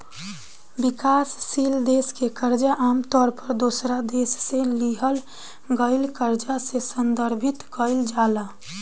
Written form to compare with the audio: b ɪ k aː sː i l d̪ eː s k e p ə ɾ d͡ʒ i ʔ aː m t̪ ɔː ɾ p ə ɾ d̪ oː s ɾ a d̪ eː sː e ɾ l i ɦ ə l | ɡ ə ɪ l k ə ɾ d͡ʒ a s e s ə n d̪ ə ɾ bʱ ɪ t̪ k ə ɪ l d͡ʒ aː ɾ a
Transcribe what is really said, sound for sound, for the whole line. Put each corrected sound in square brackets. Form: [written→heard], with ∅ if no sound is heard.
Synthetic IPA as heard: b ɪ k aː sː i l d̪ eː s k e [p→k] ə ɾ d͡ʒ [i→a] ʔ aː m t̪ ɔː ɾ p ə ɾ d̪ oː s ɾ a d̪ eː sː e [ɾ→∅] l i ɦ ə l | ɡ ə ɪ l k ə ɾ d͡ʒ a s e s ə n d̪ ə ɾ bʱ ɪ t̪ k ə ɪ l d͡ʒ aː [ɾ→l] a